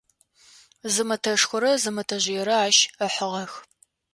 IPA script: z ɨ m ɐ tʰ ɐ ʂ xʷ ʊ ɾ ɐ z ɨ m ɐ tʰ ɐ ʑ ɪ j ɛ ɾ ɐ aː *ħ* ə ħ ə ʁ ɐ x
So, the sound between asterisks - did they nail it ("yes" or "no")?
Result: no